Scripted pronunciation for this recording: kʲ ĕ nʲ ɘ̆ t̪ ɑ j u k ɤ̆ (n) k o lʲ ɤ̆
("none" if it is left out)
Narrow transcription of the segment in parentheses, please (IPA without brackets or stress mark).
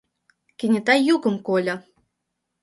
m